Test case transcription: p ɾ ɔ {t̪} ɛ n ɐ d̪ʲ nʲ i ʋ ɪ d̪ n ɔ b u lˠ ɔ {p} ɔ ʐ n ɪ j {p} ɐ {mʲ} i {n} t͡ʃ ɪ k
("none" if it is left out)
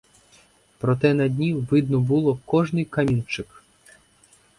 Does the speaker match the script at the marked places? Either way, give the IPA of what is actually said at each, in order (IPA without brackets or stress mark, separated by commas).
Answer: t̪, k, k, mʲ, n